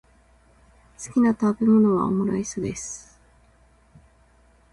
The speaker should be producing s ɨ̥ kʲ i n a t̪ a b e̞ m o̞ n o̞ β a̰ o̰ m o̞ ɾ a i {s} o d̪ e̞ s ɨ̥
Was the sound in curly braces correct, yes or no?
yes